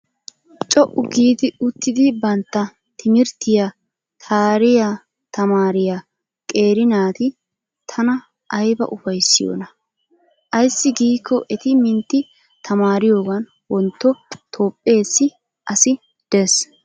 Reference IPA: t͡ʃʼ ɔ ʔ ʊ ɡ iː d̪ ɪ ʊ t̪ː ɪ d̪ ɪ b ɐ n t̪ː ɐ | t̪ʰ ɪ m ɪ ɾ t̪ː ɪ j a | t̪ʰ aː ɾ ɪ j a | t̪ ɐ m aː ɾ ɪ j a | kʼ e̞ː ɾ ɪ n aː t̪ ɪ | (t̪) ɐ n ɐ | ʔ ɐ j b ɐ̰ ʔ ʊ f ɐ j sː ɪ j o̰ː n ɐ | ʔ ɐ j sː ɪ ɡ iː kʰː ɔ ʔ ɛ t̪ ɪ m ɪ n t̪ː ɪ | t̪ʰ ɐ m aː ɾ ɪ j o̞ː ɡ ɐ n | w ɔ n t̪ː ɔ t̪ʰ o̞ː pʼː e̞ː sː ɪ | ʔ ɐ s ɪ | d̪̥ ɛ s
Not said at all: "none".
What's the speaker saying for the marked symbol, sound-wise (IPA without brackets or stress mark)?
t̪ʰ